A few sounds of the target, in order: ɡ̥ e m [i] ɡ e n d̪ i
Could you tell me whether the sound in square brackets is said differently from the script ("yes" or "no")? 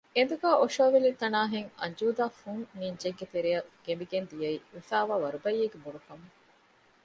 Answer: no